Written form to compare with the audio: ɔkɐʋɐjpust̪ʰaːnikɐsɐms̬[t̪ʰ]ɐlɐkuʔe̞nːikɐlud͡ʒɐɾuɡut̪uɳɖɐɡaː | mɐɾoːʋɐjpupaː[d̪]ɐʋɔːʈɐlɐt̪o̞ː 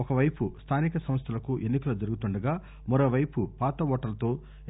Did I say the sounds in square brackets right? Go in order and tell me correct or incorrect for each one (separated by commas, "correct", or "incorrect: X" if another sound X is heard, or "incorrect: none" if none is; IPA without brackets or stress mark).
correct, incorrect: t̪